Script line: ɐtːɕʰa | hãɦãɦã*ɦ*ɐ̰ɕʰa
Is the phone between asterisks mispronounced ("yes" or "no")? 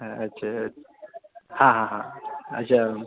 yes